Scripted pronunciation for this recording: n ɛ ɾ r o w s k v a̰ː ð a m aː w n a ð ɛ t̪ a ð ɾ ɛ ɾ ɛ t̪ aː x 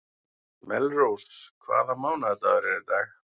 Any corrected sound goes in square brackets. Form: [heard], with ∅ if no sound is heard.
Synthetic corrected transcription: [m] ɛ [l] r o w s [kʰ] v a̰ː ð a m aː w n a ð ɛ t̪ a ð ɾ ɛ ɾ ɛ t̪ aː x

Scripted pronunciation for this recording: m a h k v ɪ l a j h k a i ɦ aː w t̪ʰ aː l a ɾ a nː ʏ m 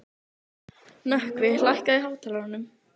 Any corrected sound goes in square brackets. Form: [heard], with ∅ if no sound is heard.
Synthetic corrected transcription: [n] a h k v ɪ l a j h k a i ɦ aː w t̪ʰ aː l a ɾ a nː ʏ m

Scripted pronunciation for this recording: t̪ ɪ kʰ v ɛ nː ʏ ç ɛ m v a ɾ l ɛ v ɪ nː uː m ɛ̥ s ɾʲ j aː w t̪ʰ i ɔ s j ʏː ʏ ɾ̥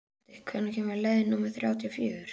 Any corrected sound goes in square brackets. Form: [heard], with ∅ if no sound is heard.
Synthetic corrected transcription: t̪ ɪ kʰ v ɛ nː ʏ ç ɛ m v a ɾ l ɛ [ð] ɪ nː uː m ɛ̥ [θ] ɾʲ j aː w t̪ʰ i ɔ [f] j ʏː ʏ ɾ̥

